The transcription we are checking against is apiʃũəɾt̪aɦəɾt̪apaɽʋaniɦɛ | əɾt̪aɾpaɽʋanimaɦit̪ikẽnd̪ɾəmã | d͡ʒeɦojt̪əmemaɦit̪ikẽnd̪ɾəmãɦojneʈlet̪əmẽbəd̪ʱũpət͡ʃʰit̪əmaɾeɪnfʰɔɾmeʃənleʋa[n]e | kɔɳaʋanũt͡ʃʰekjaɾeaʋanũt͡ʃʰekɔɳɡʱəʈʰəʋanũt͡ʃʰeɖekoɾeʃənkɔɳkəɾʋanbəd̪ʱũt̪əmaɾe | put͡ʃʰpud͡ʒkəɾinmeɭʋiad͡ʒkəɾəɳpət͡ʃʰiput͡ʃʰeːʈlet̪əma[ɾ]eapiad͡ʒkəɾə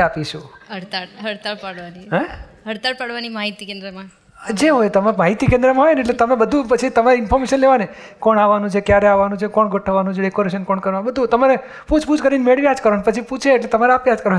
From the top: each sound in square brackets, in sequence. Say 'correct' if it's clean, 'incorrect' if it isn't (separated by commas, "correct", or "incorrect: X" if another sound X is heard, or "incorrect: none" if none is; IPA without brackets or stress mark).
correct, correct